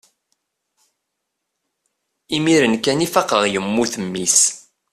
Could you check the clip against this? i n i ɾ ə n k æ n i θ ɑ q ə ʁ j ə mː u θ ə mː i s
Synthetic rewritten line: i m i ɾ ə n k æ n i f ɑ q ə ʁ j ə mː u θ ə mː i s